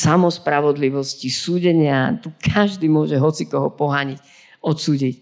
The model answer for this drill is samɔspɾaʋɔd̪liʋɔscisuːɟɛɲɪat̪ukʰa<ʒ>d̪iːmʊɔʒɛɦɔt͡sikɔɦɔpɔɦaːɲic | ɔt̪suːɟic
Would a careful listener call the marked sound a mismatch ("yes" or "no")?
no